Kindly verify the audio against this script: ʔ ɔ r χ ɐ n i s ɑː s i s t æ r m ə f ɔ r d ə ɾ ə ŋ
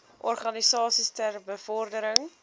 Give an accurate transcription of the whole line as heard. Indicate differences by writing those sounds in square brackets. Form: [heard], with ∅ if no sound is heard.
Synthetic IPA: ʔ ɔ r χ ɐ n i s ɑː s i s t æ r [b] ə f ɔ r d ə ɾ ə ŋ